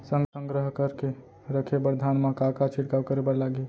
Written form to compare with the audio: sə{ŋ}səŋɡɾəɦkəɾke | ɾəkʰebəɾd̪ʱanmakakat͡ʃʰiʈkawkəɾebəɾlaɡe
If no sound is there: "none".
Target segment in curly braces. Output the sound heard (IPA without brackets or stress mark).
ŋ